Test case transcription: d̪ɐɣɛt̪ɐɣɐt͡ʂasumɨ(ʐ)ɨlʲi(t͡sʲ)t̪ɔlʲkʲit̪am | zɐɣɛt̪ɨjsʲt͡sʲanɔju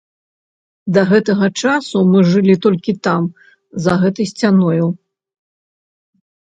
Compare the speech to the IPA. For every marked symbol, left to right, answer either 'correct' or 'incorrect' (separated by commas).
correct, incorrect